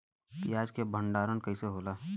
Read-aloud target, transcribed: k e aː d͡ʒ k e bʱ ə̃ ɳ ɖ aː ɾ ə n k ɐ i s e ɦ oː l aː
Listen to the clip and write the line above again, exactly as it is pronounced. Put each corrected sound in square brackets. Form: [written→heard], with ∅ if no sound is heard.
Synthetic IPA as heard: k [e→i] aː d͡ʒ k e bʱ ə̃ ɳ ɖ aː ɾ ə n k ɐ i s e ɦ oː l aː

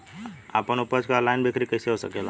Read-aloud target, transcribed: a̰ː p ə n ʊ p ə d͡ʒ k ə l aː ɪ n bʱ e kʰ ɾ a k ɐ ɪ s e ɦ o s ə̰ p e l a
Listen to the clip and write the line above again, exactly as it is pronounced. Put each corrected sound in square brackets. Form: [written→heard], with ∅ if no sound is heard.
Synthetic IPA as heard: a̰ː p ə n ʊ p ə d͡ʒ k [ə→a] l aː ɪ n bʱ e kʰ ɾ [a→i] k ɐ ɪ s e ɦ o s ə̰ [p→k] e l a

